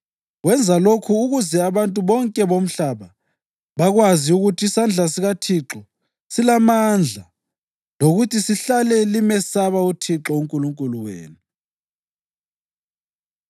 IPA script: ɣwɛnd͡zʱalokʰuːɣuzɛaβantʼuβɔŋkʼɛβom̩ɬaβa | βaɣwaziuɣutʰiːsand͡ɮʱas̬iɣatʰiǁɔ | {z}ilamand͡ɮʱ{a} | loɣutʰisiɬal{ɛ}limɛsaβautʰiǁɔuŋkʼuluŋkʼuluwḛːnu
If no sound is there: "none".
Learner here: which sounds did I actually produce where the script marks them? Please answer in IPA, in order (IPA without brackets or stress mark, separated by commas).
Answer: s, a, ɛ